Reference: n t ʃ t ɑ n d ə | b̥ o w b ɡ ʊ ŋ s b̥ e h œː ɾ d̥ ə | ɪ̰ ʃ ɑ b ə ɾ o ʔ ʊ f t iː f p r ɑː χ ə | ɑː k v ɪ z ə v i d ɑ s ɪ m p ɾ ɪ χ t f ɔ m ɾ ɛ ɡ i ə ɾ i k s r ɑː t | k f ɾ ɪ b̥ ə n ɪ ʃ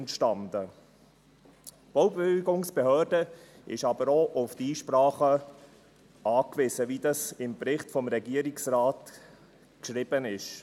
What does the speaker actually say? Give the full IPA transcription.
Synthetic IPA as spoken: n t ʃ t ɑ n d ə | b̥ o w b ɡ ʊ ŋ s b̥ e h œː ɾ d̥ ə | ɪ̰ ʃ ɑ b ə ɾ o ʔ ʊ f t iː ʃ p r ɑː χ ə | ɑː k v ɪ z ə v i d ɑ s ɪ m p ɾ ɪ χ t f ɔ m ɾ ɛ ɡ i ə ɾ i k s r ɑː t | k ʃ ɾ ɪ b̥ ə n ɪ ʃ